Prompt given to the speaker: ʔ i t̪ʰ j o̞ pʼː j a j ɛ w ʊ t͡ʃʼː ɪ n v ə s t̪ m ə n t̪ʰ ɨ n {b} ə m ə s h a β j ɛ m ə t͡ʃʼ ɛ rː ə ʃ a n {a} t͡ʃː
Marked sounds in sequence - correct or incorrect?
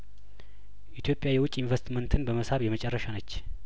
correct, incorrect

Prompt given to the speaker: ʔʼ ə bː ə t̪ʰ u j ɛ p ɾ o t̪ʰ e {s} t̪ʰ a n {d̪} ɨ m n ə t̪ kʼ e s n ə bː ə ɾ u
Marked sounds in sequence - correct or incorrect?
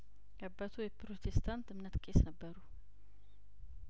correct, incorrect

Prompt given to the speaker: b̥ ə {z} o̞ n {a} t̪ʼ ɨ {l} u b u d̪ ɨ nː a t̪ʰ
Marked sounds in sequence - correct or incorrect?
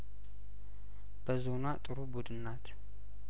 correct, correct, incorrect

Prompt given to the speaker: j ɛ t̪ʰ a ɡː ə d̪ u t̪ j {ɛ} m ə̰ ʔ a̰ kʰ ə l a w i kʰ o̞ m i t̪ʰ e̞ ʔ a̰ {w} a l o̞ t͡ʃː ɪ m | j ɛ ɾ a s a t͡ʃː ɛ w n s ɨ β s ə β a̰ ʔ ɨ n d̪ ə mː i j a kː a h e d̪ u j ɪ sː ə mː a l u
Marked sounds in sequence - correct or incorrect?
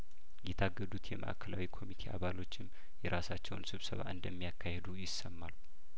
correct, incorrect

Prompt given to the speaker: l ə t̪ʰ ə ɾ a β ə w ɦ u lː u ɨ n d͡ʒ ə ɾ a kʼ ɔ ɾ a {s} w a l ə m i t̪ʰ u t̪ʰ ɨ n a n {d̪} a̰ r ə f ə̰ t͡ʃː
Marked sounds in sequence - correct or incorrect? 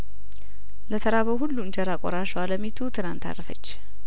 incorrect, incorrect

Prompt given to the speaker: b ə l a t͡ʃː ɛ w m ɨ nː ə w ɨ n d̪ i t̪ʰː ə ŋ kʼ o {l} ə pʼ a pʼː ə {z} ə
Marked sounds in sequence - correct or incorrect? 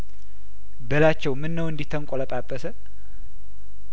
correct, incorrect

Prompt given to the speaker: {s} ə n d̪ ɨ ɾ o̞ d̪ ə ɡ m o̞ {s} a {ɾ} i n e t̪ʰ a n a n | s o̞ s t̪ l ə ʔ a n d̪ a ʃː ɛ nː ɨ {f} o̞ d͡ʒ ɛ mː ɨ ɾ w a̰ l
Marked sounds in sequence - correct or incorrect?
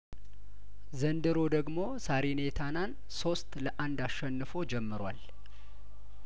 incorrect, correct, correct, correct

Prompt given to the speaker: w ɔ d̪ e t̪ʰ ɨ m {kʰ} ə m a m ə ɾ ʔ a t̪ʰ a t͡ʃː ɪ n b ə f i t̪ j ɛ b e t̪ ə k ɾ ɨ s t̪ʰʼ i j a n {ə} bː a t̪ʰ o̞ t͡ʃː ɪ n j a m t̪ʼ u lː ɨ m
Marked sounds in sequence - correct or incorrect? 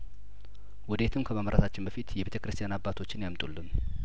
correct, incorrect

